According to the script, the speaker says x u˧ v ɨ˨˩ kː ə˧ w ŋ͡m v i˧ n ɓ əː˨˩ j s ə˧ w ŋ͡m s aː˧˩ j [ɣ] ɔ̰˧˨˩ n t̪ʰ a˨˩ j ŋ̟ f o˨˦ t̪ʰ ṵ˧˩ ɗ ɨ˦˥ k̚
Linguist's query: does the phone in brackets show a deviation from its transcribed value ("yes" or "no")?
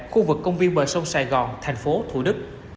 no